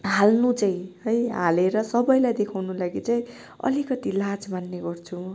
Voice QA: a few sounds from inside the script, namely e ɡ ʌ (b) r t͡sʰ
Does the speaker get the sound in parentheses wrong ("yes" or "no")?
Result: yes